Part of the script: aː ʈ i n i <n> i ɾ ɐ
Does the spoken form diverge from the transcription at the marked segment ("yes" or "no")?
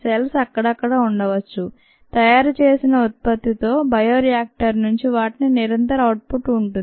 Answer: no